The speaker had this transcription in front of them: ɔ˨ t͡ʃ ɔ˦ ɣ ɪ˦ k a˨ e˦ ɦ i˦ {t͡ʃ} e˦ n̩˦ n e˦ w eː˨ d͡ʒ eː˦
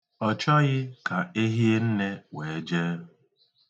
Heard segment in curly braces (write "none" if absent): none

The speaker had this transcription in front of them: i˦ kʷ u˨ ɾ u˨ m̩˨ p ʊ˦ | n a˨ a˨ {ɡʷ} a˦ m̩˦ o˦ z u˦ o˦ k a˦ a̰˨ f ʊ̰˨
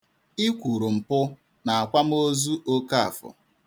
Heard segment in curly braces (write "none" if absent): kʷ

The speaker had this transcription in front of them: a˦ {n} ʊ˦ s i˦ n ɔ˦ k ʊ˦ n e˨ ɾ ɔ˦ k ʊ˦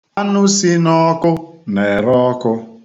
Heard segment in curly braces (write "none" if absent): n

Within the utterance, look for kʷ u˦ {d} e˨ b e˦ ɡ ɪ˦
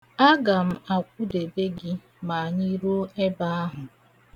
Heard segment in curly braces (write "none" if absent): d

